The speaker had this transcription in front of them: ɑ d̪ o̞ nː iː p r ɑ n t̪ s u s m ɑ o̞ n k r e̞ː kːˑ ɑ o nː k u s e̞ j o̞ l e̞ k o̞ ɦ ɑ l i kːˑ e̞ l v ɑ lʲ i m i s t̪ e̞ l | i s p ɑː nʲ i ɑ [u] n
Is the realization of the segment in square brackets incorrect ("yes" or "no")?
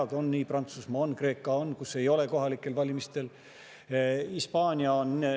yes